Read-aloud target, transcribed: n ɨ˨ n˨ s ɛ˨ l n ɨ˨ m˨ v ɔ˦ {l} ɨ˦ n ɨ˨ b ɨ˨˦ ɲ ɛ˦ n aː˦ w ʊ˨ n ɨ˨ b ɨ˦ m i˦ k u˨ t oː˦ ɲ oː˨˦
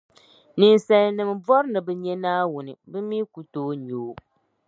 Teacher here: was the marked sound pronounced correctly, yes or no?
no